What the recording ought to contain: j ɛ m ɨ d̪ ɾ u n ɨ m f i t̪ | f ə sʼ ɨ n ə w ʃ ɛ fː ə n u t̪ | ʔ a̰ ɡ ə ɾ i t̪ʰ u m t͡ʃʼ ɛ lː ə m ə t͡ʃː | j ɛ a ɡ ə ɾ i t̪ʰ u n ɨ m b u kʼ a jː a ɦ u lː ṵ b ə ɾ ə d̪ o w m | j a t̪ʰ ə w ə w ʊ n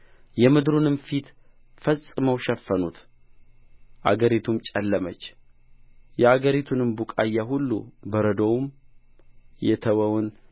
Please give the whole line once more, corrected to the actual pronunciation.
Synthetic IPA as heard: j ɛ m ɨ d̪ ɾ u n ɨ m f i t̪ | f ə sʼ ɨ m ə w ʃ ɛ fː ə n u t̪ | ʔ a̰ ɡ ə ɾ i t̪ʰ u m t͡ʃʼ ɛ lː ə m ə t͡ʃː | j ɛ a ɡ ə ɾ i t̪ʰ u n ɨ m b u kʼ a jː a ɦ u lː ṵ b ə ɾ ə d̪ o w m | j ɛ t̪ʰ ə w ə w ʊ n